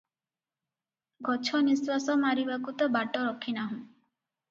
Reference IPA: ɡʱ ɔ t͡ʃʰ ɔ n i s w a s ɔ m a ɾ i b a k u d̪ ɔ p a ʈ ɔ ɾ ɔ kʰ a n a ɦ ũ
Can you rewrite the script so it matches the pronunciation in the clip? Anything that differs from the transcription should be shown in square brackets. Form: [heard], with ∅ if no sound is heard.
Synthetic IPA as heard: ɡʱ ɔ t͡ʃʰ ɔ n i s w a s ɔ m a ɾ i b a k u [t̪] ɔ [b] a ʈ ɔ ɾ ɔ kʰ [i] n a ɦ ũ